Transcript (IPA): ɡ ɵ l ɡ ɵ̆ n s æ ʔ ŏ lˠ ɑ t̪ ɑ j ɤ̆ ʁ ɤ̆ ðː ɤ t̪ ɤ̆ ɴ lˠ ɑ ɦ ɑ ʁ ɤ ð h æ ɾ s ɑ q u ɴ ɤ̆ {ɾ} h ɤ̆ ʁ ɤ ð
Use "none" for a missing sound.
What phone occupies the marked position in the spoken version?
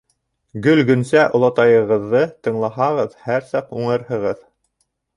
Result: ɾ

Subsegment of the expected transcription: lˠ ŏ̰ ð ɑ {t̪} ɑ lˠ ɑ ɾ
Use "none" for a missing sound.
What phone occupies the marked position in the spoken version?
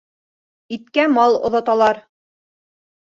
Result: t̪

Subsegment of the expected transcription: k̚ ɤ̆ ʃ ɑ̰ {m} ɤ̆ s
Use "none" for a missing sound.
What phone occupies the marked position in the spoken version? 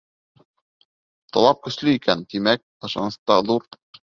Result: n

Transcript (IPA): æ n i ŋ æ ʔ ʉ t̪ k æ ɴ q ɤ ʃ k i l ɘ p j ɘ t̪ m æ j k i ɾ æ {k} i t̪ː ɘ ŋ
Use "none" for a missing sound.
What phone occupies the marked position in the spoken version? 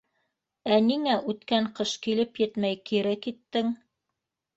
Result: k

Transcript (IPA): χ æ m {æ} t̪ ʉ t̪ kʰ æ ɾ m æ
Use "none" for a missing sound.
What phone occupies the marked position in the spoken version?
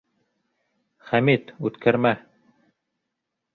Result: i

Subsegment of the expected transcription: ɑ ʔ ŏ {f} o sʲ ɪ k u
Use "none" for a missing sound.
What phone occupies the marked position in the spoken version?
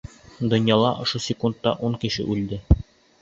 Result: ʃ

